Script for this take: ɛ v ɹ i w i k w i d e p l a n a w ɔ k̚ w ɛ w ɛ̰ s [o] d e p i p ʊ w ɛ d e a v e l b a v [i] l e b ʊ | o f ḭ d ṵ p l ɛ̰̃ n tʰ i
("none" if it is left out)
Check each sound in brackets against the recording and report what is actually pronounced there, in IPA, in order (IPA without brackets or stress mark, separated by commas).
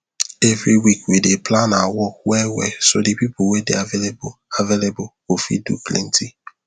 o, e